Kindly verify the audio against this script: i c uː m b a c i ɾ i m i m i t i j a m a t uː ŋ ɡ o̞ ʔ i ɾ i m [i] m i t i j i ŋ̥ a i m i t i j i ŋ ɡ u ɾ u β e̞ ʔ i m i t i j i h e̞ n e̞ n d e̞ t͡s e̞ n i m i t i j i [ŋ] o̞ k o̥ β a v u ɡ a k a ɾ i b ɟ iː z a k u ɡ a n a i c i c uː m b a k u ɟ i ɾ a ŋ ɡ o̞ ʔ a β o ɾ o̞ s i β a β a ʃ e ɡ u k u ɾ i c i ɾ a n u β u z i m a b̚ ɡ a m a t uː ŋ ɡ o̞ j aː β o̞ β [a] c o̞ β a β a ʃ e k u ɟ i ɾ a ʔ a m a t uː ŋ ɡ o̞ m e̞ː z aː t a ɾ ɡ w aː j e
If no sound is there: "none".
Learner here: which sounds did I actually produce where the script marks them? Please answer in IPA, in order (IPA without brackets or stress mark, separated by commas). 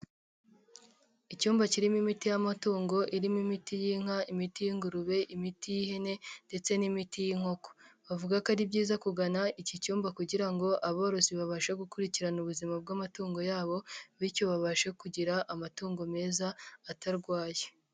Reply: i, ŋ, i